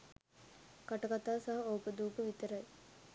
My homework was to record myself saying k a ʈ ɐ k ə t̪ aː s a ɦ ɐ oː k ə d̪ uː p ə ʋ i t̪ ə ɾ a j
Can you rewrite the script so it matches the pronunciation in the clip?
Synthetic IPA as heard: k a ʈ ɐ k a t̪ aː s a ɦ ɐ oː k ə d̪ uː p ə ʋ i t̪ ə ɾ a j